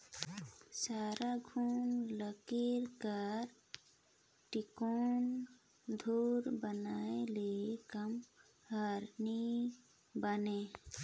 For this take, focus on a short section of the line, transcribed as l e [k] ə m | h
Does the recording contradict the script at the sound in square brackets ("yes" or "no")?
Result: no